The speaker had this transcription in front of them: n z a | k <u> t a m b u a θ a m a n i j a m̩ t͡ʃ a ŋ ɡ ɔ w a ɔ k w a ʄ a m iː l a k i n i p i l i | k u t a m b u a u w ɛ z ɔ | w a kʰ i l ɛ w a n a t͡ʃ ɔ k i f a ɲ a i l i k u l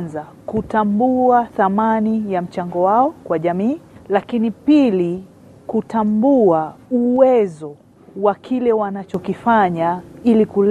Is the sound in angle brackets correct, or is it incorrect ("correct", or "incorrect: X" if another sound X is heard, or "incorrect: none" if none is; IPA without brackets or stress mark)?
correct